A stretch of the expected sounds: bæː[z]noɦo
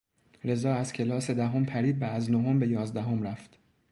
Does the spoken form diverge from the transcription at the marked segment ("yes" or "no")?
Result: no